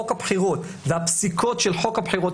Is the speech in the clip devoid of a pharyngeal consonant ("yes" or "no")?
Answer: no